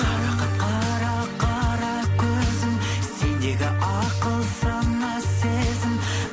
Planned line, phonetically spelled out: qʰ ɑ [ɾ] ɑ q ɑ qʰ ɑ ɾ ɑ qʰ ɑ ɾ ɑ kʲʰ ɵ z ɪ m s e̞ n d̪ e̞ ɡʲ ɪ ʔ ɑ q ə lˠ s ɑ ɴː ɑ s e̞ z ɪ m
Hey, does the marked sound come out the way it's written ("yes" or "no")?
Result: yes